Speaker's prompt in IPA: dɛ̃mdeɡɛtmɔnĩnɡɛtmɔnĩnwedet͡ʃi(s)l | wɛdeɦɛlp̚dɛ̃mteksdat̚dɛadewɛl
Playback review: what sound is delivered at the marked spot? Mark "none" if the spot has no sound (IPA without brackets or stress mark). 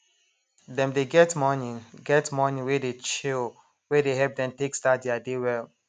none